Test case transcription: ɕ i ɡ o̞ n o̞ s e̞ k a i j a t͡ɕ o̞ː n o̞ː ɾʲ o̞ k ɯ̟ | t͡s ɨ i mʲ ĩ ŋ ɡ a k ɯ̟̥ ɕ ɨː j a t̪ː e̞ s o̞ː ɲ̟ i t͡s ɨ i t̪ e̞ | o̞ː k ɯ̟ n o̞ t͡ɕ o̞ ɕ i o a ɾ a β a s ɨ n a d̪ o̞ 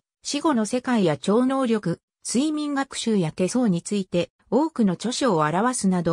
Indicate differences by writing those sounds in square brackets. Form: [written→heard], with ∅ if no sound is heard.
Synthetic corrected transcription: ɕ i ɡ o̞ n o̞ s e̞ k a i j a t͡ɕ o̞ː n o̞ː ɾʲ o̞ k ɯ̟ | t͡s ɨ i mʲ ĩ ŋ ɡ a k ɯ̟̥ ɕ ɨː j a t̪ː e̞ s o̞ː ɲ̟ i t͡s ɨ i t̪ e̞ | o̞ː k ɯ̟ n o̞ t͡ɕ o̞ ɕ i o a ɾ a β a s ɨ n a d̪ o̞